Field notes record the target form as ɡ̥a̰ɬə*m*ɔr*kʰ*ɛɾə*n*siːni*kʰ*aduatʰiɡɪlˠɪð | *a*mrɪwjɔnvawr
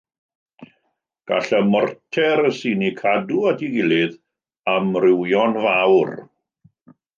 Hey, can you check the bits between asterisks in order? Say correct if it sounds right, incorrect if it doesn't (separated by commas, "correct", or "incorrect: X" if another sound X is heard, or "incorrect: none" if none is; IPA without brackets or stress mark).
correct, incorrect: tʰ, incorrect: none, correct, correct